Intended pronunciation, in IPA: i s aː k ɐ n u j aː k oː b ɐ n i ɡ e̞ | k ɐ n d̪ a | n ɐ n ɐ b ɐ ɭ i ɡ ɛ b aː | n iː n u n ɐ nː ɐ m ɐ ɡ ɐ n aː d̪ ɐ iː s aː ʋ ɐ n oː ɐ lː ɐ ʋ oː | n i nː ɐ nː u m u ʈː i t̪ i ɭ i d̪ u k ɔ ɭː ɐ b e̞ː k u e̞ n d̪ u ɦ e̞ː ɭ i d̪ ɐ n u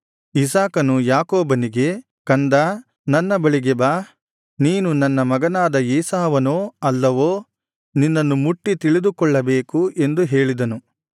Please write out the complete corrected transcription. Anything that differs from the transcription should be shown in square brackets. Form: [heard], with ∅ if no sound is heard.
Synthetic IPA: i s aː k ɐ n u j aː k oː b ɐ n i ɡ e̞ | k ɐ n d̪ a | n ɐ [nː] ɐ b ɐ ɭ i ɡ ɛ b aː | n iː n u n ɐ nː ɐ m ɐ ɡ ɐ n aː d̪ ɐ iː s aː ʋ ɐ n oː ɐ lː ɐ ʋ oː | n i nː ɐ nː u m u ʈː i t̪ i ɭ i d̪ u k ɔ ɭː ɐ b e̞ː k u e̞ n d̪ u ɦ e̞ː ɭ i d̪ ɐ n u